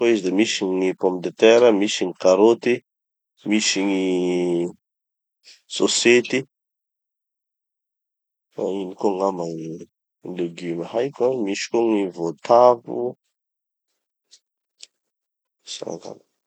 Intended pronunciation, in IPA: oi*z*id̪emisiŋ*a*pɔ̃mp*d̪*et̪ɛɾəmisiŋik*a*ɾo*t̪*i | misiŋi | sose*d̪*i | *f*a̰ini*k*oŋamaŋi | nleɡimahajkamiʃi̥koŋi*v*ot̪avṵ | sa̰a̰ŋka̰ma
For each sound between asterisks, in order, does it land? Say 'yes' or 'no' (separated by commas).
yes, no, yes, yes, yes, no, yes, yes, yes